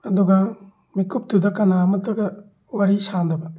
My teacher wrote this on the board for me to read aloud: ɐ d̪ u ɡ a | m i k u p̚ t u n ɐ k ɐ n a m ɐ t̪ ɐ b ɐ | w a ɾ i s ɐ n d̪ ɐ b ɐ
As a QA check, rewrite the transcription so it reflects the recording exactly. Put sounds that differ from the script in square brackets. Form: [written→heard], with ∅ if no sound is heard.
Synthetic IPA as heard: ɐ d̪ u ɡ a | m i k u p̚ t u [n→d] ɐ k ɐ n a m ɐ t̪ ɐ [b→ɡ] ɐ | w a ɾ i s [ɐ→a] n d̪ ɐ b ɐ